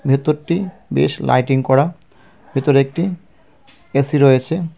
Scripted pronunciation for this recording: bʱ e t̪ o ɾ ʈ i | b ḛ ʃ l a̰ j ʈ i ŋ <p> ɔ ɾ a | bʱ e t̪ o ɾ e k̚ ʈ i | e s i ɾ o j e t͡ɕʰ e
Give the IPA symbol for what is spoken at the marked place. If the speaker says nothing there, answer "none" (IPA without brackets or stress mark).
k